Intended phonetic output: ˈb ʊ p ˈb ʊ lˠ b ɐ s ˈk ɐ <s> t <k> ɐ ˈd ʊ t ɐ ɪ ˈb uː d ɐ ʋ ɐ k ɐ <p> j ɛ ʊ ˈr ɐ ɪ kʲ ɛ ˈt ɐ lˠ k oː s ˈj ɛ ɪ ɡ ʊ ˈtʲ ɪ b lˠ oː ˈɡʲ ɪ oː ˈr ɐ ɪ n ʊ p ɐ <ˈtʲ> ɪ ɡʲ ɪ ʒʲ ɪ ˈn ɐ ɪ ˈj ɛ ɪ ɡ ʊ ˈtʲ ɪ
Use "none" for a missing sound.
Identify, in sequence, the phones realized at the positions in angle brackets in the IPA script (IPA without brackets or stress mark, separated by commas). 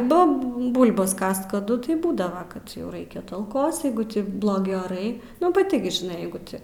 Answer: s, k, t, tʲ